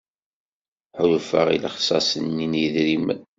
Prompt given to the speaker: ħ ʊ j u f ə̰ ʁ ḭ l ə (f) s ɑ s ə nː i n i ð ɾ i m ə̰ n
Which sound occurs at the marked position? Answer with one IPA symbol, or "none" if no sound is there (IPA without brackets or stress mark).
χ